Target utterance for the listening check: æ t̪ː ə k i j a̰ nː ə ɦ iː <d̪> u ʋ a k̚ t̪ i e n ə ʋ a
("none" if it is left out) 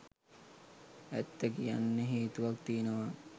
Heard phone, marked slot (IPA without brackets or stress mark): t̪